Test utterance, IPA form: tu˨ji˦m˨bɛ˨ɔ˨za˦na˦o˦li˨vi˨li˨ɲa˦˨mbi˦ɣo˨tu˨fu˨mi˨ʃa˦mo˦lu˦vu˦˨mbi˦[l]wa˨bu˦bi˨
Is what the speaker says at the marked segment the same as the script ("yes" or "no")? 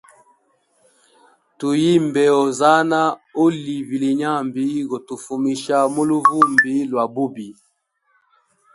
yes